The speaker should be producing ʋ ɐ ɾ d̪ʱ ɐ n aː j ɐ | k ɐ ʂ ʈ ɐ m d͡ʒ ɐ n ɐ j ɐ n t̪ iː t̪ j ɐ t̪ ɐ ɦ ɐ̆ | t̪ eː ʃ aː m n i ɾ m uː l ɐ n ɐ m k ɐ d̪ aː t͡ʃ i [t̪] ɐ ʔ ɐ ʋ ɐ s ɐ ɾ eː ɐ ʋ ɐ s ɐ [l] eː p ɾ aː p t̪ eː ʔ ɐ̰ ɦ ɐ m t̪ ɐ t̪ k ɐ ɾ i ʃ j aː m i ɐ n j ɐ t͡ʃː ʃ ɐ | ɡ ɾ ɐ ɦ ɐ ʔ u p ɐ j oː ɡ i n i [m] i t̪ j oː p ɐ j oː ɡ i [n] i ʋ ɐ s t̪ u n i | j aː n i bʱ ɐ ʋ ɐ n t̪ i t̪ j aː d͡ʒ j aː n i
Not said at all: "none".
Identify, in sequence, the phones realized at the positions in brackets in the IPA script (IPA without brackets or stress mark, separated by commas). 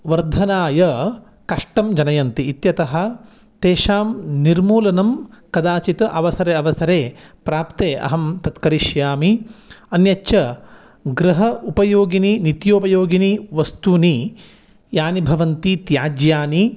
t̪, ɾ, n, n